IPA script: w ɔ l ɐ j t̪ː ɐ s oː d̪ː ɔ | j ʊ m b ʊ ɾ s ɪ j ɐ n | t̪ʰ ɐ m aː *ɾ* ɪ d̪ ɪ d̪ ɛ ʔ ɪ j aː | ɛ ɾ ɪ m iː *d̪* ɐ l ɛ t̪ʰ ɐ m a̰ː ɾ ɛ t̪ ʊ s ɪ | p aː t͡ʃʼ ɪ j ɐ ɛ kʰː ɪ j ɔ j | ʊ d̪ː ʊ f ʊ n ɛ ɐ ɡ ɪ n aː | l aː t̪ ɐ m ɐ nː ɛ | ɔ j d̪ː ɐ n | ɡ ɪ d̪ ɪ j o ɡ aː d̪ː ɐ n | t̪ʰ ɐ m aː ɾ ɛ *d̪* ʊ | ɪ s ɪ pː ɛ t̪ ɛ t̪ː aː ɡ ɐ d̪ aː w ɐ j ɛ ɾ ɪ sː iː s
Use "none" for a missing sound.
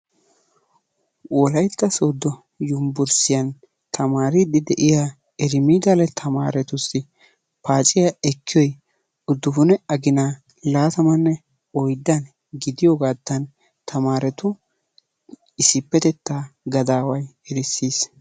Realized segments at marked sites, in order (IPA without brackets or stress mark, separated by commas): ɾ, d̪, t̪